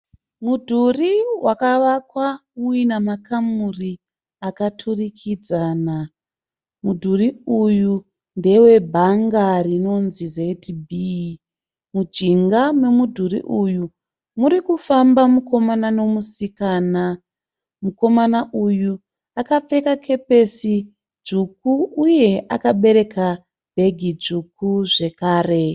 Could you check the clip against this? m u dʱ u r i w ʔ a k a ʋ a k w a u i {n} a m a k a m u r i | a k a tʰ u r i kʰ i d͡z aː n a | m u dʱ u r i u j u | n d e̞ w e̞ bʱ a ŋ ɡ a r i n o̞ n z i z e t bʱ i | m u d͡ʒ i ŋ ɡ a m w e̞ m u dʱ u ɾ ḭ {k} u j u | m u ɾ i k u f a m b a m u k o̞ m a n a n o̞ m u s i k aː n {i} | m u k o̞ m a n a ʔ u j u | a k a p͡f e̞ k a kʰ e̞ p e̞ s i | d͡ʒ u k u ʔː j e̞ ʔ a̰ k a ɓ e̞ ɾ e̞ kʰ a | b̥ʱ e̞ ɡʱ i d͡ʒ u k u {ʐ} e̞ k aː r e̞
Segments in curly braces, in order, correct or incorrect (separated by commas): correct, incorrect, incorrect, correct